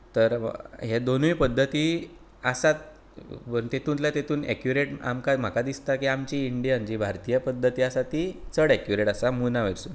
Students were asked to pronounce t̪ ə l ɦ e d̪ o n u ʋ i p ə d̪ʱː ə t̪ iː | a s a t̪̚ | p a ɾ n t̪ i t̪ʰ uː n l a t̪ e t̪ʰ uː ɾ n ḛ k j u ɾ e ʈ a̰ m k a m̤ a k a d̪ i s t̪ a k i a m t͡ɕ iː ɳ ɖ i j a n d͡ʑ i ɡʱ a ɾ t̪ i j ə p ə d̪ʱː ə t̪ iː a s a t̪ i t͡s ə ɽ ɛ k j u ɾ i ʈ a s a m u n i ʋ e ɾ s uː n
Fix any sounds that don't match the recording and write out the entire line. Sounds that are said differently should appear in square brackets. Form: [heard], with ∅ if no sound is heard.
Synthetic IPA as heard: t̪ ə [ɾ] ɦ e d̪ o n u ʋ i p ə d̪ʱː ə t̪ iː | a s a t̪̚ | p [ə] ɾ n t̪ [e] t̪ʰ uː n l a t̪ e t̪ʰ uː [∅] n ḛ k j u ɾ e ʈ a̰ m k a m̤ a k a d̪ i s t̪ a k i a m t͡ɕ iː ɳ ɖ i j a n d͡ʑ i [bʱ] a ɾ t̪ i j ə p ə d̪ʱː ə t̪ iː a s a t̪ i t͡s ə ɽ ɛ k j u ɾ [e] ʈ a s a m u n [a] ʋ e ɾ s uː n